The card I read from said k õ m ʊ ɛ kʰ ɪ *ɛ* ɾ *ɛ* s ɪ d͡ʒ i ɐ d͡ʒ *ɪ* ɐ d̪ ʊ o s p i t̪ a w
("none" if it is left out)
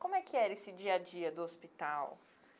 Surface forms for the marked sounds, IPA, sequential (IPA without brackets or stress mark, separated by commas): ɛ, e, i